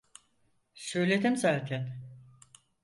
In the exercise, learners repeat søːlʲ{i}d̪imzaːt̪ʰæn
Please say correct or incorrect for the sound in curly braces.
incorrect